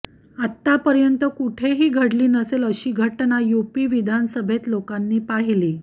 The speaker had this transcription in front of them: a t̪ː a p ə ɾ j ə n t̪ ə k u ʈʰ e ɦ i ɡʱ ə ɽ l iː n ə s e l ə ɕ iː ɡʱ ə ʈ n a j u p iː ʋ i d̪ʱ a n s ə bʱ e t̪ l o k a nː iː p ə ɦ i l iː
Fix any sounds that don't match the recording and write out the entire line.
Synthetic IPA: a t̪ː a p ə ɾ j ə n t̪ ə k u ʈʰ e ɦ iː ɡʱ ə ɽ l iː n ə s e l ə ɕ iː ɡʱ ə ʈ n a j u p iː ʋ i d̪ʱ a n s ə bʱ e t̪ l o k a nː iː p a ɦ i l iː